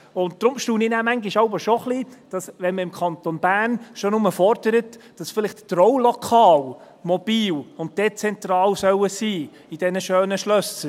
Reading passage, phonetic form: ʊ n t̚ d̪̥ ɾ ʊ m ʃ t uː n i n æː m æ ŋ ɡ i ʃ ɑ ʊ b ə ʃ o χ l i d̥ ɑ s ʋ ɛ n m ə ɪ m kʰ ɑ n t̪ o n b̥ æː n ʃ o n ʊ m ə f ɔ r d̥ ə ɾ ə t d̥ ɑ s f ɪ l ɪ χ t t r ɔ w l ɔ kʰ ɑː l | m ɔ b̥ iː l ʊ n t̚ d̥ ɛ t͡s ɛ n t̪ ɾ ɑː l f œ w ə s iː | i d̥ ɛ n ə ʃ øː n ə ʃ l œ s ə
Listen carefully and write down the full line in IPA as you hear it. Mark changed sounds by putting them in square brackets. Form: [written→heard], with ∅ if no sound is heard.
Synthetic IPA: ʊ n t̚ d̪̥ ɾ ʊ m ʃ t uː n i n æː m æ ŋ ɡ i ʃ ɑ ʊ b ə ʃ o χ l i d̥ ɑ s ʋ ɛ n m ə ɪ m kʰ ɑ n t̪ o n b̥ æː n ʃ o n ʊ m ə f ɔ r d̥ ə ɾ ə t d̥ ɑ s f ɪ l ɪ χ t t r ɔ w l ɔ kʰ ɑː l | m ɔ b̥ iː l ʊ n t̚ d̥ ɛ t͡s ɛ n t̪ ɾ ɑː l [f→s] œ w ə s iː | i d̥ ɛ n ə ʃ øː n ə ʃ l œ s ə

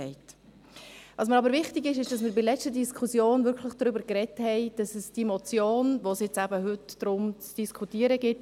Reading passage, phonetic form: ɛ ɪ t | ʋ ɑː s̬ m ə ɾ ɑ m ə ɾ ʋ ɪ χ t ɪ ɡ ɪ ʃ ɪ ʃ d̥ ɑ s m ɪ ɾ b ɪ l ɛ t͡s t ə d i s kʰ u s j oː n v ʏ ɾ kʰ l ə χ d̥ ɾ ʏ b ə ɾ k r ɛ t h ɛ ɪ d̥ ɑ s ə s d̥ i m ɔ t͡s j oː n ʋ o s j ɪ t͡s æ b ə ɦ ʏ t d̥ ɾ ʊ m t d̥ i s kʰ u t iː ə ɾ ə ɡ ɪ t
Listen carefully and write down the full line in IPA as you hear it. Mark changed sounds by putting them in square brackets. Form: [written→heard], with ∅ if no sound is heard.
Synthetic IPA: ɛ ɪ t | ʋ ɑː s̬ m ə ɾ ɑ [m→b] ə ɾ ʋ ɪ χ t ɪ ɡ ɪ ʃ ɪ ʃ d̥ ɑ s m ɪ ɾ b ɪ l ɛ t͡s t ə d i s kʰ u s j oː n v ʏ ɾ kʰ l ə χ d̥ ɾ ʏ b ə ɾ k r ɛ t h ɛ ɪ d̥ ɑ s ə s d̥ i m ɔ t͡s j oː n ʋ o s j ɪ t͡s æ b ə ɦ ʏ t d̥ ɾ ʊ m [t→t͡s] d̥ i s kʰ u t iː ə ɾ ə ɡ ɪ t

